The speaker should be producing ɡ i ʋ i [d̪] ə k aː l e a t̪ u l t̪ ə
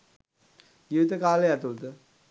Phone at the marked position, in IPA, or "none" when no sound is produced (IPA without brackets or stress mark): t̪